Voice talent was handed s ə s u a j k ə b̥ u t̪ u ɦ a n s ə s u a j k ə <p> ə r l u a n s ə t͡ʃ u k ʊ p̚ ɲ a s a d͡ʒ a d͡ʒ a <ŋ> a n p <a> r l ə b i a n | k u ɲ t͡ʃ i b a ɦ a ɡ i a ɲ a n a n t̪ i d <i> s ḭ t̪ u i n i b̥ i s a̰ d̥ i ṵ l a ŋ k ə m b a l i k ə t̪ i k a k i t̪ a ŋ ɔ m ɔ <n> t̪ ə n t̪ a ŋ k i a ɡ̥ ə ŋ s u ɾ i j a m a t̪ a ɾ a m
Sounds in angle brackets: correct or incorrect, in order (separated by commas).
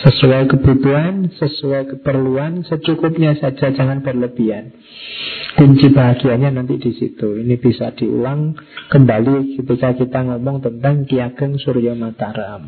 correct, correct, incorrect, correct, incorrect